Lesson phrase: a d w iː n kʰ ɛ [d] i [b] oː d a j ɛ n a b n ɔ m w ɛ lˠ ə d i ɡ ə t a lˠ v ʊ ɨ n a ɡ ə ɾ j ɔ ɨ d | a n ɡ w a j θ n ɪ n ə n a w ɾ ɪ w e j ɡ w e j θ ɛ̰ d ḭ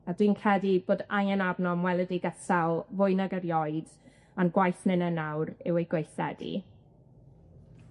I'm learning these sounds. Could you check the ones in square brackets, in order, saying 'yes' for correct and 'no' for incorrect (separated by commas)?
yes, yes